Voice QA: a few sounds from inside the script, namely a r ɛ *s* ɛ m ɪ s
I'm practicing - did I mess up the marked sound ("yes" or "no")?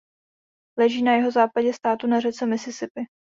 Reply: yes